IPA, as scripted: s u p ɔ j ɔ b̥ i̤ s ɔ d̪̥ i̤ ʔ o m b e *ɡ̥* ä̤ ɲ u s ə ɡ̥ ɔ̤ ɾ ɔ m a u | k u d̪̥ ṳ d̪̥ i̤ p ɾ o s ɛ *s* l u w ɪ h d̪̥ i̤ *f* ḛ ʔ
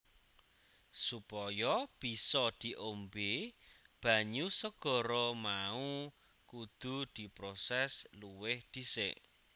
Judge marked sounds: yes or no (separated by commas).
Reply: no, yes, no